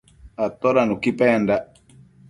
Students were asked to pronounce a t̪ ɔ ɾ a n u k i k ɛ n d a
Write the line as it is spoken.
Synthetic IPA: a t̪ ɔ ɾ a n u k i p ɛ n d a